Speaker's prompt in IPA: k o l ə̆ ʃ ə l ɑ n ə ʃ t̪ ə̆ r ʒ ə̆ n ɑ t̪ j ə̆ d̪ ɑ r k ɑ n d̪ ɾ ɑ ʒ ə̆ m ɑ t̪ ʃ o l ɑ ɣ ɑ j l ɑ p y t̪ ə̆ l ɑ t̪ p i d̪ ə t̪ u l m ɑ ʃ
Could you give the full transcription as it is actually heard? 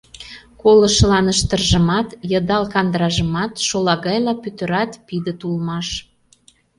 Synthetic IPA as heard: k o l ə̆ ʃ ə l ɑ n ə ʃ t̪ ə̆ r ʒ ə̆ m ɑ t̪ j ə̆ d̪ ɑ l k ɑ n d̪ ɾ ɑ ʒ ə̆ m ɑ t̪ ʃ o l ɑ ɣ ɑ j l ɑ p y t̪ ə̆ ɾ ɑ t̪ p i d̪ ə t̪ u l m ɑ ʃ